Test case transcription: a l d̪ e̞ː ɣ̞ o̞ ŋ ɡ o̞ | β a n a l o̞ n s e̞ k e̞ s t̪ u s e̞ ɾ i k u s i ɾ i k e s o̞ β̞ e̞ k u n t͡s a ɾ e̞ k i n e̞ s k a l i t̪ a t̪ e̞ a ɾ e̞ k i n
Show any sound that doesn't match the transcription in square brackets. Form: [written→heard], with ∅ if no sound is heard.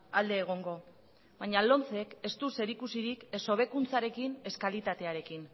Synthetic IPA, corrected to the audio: a l d̪ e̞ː ɣ̞ o̞ ŋ ɡ o̞ | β a [n→ɲ] a l o̞ n [s→t͡s] e̞ k e̞ s t̪ u s e̞ ɾ i k u s i ɾ i k e s o̞ β̞ e̞ k u n t͡s a ɾ e̞ k i n e̞ s k a l i t̪ a t̪ e̞ a ɾ e̞ k i n